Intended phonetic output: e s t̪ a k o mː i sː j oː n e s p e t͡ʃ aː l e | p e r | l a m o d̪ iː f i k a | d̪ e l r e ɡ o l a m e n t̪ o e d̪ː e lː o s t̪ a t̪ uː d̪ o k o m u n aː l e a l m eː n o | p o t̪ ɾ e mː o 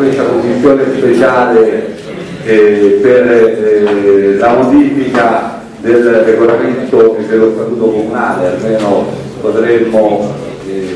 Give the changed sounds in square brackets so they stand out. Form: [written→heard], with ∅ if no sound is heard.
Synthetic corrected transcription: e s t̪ a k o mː i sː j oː n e s p e t͡ʃ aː l e | p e r | l a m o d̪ iː f i k a | d̪ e l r e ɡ o l a m e n t̪ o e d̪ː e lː o s t̪ a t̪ uː [d̪→t̪] o k o m u n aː l e a l m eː n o | p o t̪ ɾ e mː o